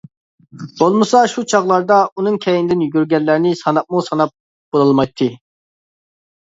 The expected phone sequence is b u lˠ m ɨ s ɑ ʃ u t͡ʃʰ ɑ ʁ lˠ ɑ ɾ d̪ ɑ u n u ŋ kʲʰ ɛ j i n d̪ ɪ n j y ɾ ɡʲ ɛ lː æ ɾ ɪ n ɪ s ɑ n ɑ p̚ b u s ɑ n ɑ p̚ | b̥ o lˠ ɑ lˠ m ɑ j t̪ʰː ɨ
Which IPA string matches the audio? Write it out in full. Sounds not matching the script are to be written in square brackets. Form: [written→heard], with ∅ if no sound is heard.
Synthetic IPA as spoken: b [u→o] lˠ m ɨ s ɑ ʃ u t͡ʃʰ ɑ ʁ lˠ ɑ ɾ d̪ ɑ u n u ŋ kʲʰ ɛ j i n d̪ ɪ n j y ɾ ɡʲ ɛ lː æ ɾ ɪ n ɪ s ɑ n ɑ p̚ [b→m] u s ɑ n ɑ p̚ | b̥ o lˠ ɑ lˠ m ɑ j t̪ʰː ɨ